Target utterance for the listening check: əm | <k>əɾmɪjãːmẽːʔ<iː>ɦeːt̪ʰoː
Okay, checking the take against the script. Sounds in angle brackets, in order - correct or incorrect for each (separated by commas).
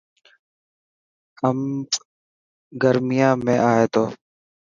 incorrect, incorrect